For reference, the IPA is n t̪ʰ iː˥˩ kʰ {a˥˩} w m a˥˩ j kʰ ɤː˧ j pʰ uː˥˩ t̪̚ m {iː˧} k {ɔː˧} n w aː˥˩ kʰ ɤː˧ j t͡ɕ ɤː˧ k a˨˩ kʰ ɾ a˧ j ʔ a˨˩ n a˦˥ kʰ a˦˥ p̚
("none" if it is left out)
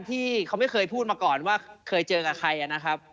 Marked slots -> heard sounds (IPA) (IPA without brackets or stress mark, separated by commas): a˦˥, aː˧, ɔː˨˩